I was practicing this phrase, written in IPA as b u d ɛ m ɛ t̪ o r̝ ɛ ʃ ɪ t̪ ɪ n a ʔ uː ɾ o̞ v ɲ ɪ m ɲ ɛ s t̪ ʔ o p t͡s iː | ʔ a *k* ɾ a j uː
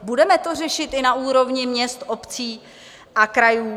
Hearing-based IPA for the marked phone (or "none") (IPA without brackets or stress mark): k